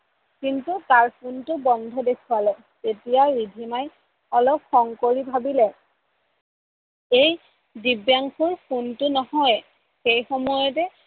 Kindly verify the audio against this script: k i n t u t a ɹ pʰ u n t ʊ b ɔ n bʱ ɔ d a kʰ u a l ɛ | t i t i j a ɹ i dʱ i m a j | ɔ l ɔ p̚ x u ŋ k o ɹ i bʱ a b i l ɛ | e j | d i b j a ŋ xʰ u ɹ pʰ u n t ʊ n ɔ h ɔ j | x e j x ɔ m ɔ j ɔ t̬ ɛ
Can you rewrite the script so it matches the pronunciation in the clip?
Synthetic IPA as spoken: k i n t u t a ɹ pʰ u n t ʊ b ɔ n dʱ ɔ d e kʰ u a l ɛ | t e t i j a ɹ i dʱ i m a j | ɔ l ɔ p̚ x ɔ ŋ k o ɹ i bʱ a b i l ɛ | e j | d i b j a ŋ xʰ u ɹ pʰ u n t ʊ n ɔ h ɔ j | x e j x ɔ m ɔ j ɔ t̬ ɛ